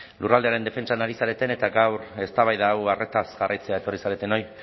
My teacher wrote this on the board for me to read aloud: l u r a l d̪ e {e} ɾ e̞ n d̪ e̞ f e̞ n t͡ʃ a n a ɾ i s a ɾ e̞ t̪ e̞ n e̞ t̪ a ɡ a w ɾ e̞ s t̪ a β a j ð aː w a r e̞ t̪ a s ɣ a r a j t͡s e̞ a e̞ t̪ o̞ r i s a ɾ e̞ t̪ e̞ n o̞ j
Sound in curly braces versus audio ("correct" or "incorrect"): incorrect